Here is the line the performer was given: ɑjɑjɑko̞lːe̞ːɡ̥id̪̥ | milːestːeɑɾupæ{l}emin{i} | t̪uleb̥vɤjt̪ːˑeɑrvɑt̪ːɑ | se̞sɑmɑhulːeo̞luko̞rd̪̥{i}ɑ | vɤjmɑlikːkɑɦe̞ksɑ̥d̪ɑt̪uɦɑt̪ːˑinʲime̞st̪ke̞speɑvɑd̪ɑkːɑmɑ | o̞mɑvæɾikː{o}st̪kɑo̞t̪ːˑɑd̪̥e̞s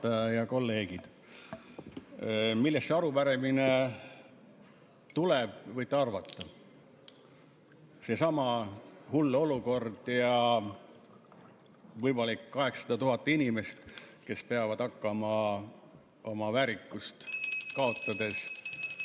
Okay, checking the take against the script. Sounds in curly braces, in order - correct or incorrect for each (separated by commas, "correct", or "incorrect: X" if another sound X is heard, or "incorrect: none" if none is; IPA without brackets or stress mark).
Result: incorrect: ɾ, incorrect: e, incorrect: j, incorrect: u